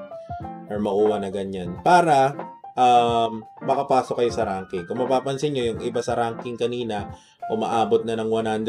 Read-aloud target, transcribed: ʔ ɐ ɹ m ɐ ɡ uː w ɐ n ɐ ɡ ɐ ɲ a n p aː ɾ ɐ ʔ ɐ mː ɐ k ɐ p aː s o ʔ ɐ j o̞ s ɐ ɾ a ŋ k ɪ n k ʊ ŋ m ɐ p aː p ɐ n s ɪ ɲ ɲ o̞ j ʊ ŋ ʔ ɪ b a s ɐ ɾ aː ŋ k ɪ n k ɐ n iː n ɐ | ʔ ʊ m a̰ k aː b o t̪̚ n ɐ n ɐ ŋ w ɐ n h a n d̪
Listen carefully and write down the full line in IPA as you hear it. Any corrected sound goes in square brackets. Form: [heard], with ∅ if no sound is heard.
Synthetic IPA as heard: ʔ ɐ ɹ m ɐ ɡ uː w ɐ n ɐ ɡ ɐ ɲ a n p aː ɾ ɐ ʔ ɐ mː ɐ k ɐ p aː s o [k] ɐ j o̞ s ɐ ɾ a ŋ k ɪ [ŋ] k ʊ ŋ m ɐ p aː p ɐ n s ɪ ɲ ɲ o̞ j ʊ ŋ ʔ ɪ b a s ɐ ɾ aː ŋ k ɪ [ŋ] k ɐ n iː n ɐ | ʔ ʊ m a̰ [ʔ] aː b o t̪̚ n ɐ n ɐ ŋ w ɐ n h a n d̪

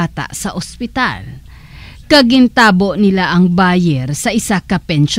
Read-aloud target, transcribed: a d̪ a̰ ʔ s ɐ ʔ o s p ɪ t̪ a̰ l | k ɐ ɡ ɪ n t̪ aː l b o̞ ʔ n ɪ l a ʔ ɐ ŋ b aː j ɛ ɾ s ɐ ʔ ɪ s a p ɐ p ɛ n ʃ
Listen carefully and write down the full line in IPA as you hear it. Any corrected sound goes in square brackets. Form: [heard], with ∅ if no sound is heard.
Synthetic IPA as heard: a [t̪] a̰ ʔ s ɐ ʔ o s p ɪ t̪ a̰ l | k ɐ ɡ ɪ n t̪ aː [∅] b o̞ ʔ n ɪ l a ʔ ɐ ŋ b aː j ɛ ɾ s ɐ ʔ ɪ s a [k] ɐ p ɛ n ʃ

